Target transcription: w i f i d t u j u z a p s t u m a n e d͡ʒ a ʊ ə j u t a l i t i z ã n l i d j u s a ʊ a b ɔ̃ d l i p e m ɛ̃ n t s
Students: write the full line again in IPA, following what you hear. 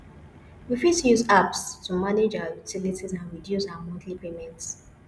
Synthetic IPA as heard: w i f i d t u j u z a p s t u m a n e d͡ʒ a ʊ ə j u t i l i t i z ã n ɹ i d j u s a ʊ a m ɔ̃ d l i p e m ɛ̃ n t s